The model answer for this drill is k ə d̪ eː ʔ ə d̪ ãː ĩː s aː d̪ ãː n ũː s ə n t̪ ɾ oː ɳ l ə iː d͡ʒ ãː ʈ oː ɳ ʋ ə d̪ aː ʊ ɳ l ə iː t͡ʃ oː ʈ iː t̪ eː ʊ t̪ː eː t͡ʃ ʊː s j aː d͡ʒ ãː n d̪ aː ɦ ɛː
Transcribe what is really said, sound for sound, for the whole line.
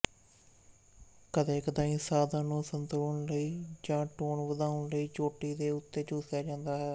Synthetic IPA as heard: k ə d̪ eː k ə d̪ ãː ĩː s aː d̪ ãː n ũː s ə n t̪ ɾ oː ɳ l ə iː d͡ʒ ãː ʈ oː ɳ ʋ ə d̪ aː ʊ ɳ l ə iː t͡ʃ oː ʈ iː d̪ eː ʊ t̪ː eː t͡ʃ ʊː s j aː d͡ʒ ãː n d̪ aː ɦ ɛː